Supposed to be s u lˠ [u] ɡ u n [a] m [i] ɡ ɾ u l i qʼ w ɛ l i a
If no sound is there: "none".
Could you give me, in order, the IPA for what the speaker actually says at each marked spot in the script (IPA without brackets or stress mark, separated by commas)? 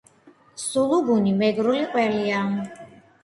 u, i, ɛ